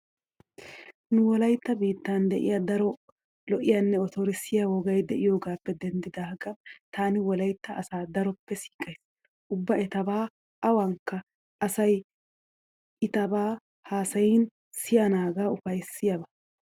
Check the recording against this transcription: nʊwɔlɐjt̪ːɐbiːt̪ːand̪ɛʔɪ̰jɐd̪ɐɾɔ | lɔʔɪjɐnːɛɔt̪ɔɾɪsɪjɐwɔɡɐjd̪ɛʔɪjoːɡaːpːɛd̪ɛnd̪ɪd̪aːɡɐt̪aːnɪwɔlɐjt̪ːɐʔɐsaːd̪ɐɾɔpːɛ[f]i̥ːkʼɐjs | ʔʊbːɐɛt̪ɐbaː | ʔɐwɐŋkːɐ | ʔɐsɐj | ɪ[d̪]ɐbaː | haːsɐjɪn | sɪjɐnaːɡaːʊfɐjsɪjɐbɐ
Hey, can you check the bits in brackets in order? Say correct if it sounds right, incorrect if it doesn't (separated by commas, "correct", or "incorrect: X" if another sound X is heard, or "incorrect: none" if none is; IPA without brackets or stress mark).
incorrect: s, incorrect: t̪